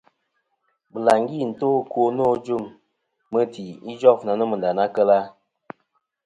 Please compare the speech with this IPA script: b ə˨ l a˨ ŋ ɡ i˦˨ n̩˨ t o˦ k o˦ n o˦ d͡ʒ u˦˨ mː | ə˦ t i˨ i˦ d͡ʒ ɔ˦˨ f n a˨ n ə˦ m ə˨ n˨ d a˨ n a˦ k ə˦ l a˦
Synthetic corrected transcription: b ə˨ l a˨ ŋ ɡ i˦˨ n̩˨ t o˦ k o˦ n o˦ d͡ʒ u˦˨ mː | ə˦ t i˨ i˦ d͡ʒ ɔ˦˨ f n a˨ n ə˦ m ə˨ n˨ d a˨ n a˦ k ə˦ l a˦